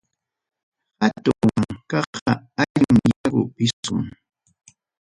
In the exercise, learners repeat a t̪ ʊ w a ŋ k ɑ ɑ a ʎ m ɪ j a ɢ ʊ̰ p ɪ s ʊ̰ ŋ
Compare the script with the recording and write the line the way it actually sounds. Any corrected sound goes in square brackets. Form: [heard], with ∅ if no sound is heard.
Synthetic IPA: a t̪ ʊ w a ŋ k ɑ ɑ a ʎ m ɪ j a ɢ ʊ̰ p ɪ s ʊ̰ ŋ